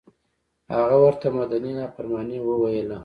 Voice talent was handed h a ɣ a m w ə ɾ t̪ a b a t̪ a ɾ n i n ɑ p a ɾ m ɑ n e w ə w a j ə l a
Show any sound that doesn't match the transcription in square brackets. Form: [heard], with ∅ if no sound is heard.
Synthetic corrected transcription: h a ɣ a [∅] w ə ɾ t̪ a [m] a [d̪] a [∅] n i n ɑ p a ɾ m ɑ n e w ə w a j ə l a